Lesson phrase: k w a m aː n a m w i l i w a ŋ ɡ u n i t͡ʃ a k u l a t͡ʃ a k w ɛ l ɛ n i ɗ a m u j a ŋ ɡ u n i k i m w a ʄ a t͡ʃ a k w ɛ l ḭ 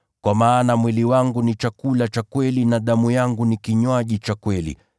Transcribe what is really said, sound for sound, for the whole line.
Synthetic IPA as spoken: k w a m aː n a m w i l i w a ŋ ɡ u n i t͡ʃ a k u l a t͡ʃ a k w ɛ l i n a ɗ a m u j a ŋ ɡ u n i k i ɲ w a ʄ i t͡ʃ a k w ɛ l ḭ

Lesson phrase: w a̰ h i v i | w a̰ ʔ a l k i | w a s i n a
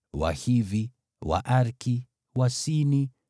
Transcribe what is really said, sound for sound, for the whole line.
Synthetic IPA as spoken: w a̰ h i v i | w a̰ ʔ a ɾ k i | w a s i n i

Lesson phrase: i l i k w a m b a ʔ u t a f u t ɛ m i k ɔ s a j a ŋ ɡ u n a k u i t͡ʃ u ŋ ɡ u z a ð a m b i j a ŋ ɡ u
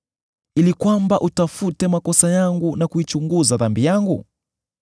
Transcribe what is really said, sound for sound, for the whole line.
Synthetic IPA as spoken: i l i k w a m b a ʔ u t a f u t ɛ m a k ɔ s a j a ŋ ɡ u n a k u i t͡ʃ u ŋ ɡ u z a ð a m b i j a ŋ ɡ u

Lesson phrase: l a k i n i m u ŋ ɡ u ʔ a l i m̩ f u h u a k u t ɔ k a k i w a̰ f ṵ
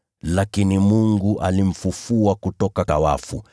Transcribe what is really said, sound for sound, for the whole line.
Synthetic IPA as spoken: l a k i n i m u ŋ ɡ u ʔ a l i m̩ f u f u a k u t ɔ k a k a w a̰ f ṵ

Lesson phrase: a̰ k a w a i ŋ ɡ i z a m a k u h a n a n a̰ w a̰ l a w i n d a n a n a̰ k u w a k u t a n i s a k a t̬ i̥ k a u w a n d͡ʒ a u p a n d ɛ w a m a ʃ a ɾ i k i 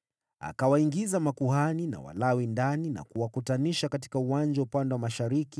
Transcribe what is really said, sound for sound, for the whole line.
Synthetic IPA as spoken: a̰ k a w a i ŋ ɡ i z a m a k u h a n i n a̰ w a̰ l a w i n d a n i n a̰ k u w a k u t a n i ʃ a k a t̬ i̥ k a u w a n d͡ʒ a u p a n d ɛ w a m a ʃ a ɾ i k i

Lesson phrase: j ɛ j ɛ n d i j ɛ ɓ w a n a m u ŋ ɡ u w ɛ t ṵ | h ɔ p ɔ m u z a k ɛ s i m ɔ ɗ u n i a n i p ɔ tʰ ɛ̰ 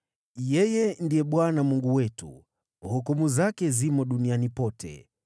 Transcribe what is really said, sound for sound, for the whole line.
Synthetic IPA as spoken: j ɛ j ɛ n d i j ɛ ɓ w a n a m u ŋ ɡ u w ɛ t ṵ | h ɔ k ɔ m u z a k ɛ z i m ɔ ɗ u n i a n i p ɔ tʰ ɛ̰

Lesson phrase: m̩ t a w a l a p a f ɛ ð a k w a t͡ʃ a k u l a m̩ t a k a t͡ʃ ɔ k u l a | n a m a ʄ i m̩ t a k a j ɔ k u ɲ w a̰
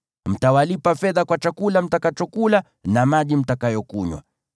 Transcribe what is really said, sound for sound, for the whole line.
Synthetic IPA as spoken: m̩ t a w a l i p a f ɛ ð a k w a t͡ʃ a k u l a m̩ t a k a t͡ʃ ɔ k u l a | n a m a ʄ i m̩ t a k a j ɔ k u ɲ w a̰

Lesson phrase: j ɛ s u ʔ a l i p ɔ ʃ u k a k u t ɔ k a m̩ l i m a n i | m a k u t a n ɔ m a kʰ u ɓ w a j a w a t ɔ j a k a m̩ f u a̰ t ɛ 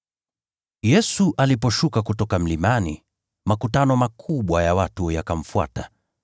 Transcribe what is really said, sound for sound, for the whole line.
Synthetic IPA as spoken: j ɛ s u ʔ a l i p ɔ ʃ u k a k u t ɔ k a m̩ l i m a n i | m a k u t a n ɔ m a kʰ u ɓ w a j a w a t u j a k a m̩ f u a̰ t a

